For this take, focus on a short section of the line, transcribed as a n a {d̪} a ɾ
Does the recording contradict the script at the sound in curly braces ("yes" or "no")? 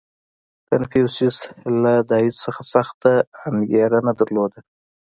no